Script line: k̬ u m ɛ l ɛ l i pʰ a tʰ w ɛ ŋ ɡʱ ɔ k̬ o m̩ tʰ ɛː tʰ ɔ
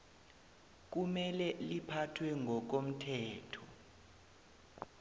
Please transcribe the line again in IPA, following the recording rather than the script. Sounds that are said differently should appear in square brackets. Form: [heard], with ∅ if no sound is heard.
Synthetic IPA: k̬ u m ɛ l ɛ l i pʰ a tʰ w ɛ ŋ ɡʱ ɔ k̬ o m̩ tʰ ɛː tʰ ɔ